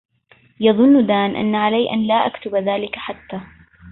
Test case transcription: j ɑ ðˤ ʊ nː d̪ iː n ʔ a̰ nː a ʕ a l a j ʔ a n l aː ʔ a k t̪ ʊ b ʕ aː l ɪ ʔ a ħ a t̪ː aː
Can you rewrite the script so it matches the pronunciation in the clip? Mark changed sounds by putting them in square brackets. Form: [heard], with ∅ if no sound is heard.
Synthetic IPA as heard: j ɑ ðˤ ʊ nː d̪ [aː] n ʔ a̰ nː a ʕ a l a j ʔ a n l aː ʔ a k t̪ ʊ b [ð] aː l ɪ [k] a ħ a t̪ː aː